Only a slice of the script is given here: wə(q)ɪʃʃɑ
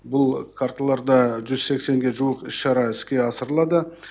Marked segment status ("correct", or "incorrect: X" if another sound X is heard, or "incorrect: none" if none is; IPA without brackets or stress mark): correct